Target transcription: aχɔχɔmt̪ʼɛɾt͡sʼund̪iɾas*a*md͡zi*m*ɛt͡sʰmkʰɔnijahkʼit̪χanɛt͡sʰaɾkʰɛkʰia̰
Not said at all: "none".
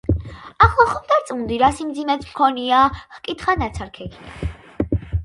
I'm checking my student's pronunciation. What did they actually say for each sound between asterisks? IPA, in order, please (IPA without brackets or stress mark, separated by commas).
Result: i, m